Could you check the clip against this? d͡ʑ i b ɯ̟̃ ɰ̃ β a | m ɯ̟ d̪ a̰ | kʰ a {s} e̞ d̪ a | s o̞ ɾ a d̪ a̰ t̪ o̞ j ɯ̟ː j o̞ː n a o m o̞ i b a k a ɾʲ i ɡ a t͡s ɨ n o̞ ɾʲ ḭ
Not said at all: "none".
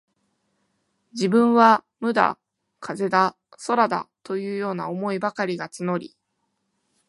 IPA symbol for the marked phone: z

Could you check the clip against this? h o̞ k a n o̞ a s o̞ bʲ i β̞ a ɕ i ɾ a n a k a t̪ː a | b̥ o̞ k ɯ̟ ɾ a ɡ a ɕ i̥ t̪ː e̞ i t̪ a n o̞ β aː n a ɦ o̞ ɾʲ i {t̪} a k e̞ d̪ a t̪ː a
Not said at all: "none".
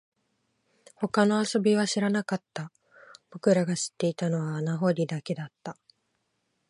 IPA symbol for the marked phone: d̪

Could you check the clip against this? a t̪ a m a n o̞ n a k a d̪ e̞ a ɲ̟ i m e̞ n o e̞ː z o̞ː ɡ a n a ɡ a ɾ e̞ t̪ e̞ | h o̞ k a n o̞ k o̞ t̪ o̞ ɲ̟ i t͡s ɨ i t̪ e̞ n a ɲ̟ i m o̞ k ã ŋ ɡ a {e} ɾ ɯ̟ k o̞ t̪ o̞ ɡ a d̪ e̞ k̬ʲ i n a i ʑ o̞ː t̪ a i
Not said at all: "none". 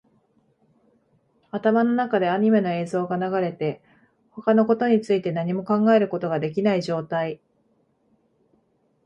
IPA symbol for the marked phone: e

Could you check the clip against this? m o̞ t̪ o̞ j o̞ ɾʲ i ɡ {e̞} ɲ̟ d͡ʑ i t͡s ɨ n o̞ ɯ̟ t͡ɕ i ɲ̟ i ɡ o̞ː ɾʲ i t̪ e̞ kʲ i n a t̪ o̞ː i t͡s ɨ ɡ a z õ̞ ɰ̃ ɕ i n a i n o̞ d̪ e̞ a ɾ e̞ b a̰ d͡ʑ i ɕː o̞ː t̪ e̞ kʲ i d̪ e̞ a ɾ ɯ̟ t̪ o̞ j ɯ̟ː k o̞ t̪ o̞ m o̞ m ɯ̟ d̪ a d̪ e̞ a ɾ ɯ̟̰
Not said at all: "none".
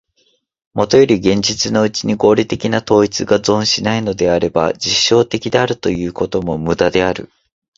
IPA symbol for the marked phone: ẽ̞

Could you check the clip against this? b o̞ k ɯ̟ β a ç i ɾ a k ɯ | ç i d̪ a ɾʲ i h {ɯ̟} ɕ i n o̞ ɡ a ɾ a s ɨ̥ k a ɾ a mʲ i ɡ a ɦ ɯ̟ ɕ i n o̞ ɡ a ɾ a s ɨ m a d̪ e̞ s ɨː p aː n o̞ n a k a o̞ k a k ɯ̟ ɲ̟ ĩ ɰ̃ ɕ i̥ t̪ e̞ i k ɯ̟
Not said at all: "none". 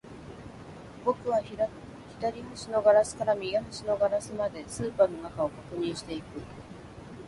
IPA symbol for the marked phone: ɯ̟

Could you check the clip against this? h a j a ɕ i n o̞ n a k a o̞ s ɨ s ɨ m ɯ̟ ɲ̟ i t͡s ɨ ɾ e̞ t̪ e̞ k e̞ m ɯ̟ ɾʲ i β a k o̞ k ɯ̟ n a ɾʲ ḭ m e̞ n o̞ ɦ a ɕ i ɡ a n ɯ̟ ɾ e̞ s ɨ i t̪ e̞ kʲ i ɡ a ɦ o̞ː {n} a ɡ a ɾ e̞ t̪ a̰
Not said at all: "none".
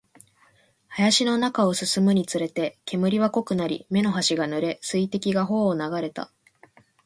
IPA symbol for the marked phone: n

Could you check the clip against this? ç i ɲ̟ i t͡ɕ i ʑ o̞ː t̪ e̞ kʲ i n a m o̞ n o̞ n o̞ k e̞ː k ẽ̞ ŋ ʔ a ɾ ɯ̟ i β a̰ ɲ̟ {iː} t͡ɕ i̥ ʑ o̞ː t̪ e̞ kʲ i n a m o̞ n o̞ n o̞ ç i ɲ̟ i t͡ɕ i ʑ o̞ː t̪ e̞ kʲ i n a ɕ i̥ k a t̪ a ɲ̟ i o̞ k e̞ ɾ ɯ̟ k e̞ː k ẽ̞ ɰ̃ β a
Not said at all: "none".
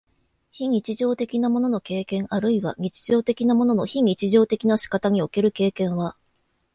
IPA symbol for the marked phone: i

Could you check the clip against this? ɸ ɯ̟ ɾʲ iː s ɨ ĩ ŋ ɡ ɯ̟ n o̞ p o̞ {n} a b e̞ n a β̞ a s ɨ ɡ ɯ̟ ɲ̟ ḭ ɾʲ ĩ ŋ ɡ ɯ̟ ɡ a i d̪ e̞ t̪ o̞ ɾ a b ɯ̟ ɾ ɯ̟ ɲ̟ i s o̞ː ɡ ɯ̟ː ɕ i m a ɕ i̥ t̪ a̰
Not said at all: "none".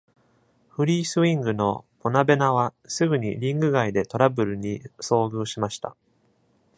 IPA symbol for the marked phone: n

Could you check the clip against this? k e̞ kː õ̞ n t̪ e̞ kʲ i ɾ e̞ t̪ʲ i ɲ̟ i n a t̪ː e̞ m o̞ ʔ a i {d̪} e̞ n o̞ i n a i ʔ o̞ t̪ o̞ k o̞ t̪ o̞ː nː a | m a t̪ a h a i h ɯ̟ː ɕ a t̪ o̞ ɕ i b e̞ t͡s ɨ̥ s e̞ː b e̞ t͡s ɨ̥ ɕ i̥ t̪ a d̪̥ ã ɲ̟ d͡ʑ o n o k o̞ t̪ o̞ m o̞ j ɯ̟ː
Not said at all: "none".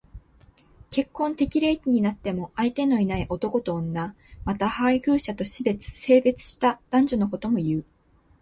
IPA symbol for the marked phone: t̪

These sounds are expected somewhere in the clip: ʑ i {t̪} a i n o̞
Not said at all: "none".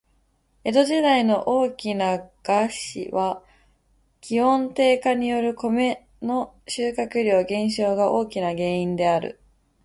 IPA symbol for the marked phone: d̪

